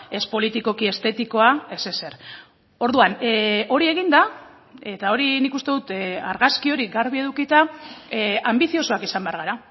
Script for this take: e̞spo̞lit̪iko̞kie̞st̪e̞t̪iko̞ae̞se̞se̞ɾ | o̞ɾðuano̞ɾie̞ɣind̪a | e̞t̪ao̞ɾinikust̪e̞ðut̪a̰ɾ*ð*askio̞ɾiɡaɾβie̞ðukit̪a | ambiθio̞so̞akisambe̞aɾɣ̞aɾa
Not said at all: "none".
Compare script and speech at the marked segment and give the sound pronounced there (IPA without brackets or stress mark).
ɣ